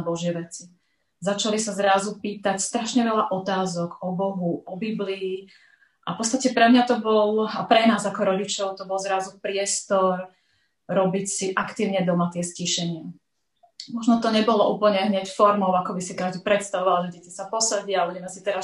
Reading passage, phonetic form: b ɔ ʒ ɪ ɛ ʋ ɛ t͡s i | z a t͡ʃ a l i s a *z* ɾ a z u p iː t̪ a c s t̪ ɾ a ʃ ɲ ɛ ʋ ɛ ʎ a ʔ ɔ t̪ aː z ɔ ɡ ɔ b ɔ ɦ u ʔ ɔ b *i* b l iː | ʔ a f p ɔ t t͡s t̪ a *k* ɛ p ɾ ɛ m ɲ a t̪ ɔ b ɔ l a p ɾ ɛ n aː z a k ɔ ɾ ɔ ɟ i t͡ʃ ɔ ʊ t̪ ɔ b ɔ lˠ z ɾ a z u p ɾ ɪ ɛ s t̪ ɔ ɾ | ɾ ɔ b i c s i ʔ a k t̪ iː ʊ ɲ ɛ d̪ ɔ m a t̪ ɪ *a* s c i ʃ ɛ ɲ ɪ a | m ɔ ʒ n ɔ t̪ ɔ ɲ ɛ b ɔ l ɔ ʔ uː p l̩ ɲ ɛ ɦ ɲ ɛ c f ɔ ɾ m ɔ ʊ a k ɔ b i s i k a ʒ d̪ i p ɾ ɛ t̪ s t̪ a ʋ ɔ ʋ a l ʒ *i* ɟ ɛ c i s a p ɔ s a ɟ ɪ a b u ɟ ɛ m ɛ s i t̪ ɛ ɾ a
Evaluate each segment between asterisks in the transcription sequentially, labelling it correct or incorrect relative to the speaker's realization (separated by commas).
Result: correct, correct, incorrect, incorrect, incorrect